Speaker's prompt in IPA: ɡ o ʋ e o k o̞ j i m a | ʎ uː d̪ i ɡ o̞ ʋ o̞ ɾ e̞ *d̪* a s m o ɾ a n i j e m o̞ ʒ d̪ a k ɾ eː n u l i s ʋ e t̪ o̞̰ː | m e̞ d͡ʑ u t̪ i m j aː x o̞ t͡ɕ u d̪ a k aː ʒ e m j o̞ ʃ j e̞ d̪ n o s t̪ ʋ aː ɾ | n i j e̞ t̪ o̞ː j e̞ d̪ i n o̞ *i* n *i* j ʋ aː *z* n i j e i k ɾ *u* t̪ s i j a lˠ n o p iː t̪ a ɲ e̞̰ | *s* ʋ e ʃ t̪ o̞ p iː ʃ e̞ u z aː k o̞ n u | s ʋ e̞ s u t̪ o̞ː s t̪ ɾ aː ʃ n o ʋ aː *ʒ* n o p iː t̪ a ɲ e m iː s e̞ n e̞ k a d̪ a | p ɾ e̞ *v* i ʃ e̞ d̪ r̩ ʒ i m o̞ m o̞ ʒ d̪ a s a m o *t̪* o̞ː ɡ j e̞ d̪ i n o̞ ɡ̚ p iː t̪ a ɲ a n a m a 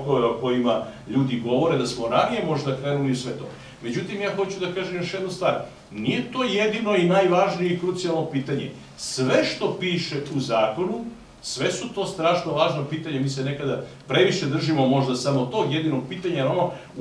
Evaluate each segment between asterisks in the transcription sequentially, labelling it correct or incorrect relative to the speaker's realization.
correct, correct, incorrect: a, incorrect: ʒ, correct, correct, correct, incorrect: ʋ, correct

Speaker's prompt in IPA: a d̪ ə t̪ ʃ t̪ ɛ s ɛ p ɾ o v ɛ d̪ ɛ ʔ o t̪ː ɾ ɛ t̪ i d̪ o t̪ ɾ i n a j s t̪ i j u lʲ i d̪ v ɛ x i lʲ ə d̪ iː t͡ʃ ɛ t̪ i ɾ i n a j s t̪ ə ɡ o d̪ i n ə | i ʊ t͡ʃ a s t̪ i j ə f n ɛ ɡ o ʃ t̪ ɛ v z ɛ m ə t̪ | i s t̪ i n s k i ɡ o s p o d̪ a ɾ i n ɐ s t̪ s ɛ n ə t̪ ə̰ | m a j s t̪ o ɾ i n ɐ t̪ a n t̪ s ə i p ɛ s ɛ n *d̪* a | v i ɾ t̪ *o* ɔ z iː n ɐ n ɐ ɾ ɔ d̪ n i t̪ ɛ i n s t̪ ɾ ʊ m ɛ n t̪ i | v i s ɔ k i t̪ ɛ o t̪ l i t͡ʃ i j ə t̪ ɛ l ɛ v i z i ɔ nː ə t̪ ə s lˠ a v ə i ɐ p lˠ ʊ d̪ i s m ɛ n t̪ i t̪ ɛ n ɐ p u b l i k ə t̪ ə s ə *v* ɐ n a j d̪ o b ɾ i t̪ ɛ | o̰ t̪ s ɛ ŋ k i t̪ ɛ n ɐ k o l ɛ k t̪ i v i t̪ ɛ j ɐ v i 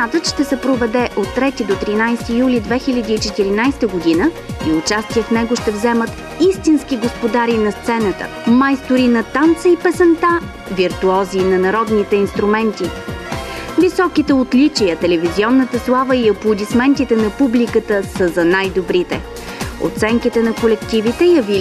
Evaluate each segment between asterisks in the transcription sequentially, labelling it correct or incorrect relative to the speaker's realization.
incorrect: t̪, incorrect: u, incorrect: z

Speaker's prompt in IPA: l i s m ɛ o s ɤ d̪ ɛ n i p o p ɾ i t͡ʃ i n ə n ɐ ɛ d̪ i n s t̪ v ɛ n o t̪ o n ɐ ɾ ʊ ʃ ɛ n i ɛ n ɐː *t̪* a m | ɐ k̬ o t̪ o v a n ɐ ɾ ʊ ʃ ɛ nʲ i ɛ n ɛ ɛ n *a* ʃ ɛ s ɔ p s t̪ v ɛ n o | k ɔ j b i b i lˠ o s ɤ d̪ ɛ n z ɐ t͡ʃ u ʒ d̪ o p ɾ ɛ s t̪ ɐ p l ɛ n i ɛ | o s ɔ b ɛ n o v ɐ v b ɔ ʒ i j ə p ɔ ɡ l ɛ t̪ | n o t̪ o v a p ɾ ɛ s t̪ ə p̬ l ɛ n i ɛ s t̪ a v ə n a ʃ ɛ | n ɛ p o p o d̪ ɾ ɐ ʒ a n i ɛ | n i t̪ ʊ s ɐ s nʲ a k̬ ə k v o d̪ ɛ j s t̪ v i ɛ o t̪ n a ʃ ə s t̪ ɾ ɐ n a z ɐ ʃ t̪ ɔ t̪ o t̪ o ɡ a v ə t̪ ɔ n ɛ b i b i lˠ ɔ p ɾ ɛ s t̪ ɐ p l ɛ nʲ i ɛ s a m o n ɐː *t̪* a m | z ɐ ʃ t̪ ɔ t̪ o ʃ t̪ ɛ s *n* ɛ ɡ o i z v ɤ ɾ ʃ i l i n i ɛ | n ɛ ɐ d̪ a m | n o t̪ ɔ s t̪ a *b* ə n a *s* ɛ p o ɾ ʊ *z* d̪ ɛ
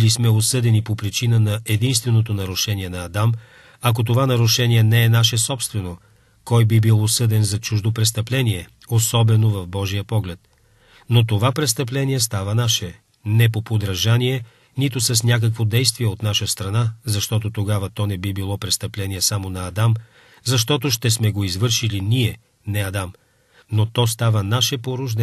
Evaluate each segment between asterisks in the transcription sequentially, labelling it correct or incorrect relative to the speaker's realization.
incorrect: d̪, correct, incorrect: d̪, incorrect: m, incorrect: v, incorrect: ʃ, incorrect: ʒ

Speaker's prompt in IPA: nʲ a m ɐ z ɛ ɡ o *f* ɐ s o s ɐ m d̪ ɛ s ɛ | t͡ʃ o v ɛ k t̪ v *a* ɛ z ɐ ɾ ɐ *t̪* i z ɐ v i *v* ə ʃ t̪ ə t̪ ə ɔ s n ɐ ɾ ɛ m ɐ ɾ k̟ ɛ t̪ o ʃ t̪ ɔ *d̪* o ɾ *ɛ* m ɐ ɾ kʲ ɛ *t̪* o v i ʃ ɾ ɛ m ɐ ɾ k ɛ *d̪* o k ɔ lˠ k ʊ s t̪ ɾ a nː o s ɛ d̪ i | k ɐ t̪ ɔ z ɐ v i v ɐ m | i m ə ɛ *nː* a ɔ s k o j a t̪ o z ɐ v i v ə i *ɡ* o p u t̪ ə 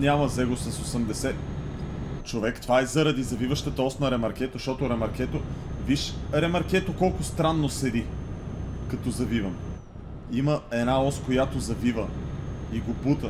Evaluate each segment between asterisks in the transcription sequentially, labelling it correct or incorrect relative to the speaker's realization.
incorrect: s, correct, incorrect: d̪, correct, incorrect: t̪, correct, correct, incorrect: t̪, incorrect: n, correct

